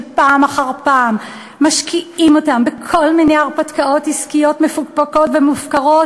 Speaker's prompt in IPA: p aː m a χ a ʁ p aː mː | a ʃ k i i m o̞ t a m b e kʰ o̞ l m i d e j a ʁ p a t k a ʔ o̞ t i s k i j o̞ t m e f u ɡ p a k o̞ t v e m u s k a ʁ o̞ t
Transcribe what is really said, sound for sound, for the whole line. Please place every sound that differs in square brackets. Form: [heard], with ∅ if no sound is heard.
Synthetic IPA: p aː m a χ a ʁ p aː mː | a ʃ k i i m o̞ t a m b e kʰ o̞ l m i [n] e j a ʁ p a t k a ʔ o̞ t i s k i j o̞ t m e f u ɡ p a k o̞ t v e m u [f] k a ʁ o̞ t